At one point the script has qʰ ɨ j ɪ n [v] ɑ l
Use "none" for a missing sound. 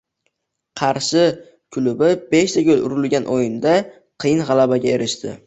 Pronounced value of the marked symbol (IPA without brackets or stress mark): ʁ